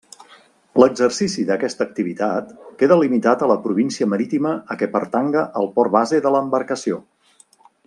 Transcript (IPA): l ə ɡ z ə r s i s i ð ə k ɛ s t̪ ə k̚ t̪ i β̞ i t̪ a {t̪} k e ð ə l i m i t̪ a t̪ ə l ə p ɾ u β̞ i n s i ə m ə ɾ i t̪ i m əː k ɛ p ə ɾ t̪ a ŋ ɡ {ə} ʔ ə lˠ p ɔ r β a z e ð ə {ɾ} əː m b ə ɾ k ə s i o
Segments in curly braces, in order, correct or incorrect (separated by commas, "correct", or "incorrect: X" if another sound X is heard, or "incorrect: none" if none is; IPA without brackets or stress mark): correct, correct, incorrect: l